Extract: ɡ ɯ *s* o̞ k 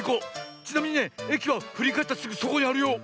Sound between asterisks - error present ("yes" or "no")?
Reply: no